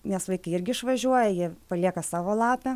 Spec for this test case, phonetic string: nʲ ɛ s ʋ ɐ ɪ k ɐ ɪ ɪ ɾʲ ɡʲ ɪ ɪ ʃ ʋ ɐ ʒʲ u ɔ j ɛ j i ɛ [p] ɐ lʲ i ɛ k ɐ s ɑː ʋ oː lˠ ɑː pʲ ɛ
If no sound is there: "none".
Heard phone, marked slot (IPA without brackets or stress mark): p